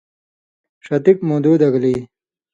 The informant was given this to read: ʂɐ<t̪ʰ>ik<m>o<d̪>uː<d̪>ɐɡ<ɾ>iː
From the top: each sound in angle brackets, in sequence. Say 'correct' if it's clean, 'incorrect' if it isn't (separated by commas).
incorrect, correct, correct, correct, incorrect